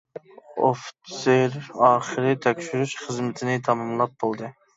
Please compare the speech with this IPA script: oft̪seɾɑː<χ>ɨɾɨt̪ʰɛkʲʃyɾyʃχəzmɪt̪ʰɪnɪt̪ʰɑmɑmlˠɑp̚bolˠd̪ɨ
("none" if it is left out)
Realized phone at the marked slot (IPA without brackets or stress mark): χ